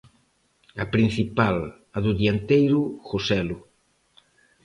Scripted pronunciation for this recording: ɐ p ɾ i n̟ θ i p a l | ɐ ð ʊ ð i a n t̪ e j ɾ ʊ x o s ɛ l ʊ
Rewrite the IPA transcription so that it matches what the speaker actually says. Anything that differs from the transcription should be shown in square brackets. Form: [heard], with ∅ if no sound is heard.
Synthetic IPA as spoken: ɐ p ɾ i n̟ θ i p a l | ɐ ð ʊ ð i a n t̪ e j ɾ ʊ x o s ɛ l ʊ